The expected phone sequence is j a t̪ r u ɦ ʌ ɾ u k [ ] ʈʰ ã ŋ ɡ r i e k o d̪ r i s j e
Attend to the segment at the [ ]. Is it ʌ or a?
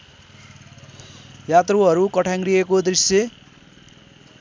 ʌ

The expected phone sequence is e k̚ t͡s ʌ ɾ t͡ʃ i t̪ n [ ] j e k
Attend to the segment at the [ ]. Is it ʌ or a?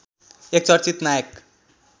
a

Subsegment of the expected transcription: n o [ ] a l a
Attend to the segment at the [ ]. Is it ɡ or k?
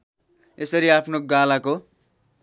ɡ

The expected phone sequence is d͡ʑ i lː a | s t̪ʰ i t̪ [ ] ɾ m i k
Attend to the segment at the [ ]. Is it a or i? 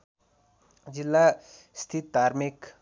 a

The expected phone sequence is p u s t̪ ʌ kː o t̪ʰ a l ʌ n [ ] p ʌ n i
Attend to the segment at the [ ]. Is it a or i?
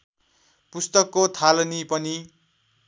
i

